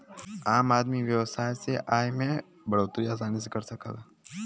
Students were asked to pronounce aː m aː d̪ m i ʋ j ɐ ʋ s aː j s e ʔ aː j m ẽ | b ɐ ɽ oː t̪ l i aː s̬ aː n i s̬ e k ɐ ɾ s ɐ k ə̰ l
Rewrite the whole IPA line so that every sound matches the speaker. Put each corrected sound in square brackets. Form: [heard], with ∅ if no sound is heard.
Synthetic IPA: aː m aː d̪ m i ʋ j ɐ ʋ s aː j s e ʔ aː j m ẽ | b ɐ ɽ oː t̪ [ɾ] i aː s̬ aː n i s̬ e k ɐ ɾ s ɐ k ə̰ l

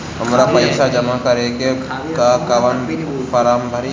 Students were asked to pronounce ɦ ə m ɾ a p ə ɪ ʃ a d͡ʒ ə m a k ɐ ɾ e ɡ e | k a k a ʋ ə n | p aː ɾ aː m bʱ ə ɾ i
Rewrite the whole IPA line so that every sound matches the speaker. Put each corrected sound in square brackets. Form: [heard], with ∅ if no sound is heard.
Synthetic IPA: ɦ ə m ɾ a p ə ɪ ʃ a d͡ʒ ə m a k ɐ ɾ e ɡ e | k a k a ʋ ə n | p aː ɾ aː m bʱ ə ɾ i

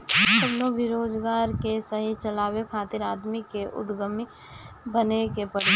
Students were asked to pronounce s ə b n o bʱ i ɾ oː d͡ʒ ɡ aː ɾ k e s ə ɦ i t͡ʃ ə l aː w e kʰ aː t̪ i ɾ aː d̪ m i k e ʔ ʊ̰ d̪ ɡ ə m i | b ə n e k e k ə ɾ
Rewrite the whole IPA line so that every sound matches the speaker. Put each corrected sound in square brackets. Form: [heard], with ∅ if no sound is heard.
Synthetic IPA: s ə b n o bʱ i ɾ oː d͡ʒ ɡ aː ɾ k e s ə ɦ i t͡ʃ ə l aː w e kʰ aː t̪ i ɾ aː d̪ m i k e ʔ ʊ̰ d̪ ɡ ə m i | b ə n e k e [p] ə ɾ

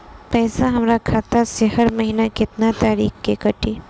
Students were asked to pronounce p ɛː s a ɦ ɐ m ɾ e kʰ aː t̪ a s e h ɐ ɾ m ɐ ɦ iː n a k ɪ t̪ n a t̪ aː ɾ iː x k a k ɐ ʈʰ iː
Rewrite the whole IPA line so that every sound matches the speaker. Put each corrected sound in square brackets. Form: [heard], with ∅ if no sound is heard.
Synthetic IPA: p ɛː s a ɦ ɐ m ɾ [a] kʰ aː t̪ a s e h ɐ ɾ m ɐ ɦ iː n a k ɪ t̪ n a t̪ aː ɾ iː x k [e] k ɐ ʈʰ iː

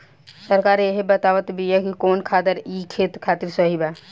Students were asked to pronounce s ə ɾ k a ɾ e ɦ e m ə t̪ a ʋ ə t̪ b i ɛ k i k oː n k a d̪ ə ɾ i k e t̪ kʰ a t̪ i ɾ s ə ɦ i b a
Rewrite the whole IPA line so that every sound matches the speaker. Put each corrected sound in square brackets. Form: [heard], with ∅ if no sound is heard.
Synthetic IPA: s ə ɾ k a ɾ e ɦ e [b] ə t̪ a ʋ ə t̪ b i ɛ k i k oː n [kʰ] a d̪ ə ɾ i [kʰ] e t̪ kʰ a t̪ i ɾ s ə ɦ i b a

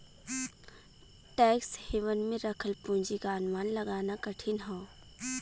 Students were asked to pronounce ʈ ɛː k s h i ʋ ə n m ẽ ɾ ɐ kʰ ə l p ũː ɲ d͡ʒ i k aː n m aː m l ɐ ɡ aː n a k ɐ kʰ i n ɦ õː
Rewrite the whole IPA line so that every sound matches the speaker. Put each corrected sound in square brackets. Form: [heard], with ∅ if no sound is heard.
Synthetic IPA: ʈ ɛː k s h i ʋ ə n m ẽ ɾ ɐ kʰ ə l p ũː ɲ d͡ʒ i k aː n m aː [n] l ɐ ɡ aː n a k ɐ [ʈʰ] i n ɦ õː

